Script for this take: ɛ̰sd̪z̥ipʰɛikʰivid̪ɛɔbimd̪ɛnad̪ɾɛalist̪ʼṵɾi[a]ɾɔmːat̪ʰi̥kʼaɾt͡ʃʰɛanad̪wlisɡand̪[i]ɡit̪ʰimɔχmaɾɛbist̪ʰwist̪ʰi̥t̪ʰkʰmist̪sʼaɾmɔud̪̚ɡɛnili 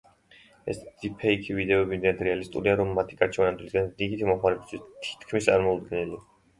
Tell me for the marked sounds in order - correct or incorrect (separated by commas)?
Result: correct, correct